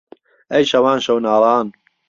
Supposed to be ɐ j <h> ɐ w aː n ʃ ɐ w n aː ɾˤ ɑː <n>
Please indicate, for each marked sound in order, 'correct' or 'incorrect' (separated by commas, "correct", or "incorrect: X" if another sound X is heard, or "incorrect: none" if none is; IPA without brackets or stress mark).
incorrect: ʃ, correct